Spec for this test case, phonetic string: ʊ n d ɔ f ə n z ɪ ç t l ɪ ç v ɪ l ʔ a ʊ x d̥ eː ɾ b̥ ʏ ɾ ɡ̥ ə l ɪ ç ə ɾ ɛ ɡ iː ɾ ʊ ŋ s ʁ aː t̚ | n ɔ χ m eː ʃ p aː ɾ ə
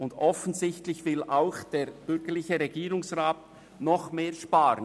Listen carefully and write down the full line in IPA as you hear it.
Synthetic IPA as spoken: ʊ n d ɔ f ə n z ɪ ç t l ɪ ç v ɪ l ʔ a ʊ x d̥ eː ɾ b̥ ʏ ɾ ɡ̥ ə l ɪ ç ə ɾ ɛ ɡ iː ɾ ʊ ŋ s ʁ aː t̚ | n ɔ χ m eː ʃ p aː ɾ ə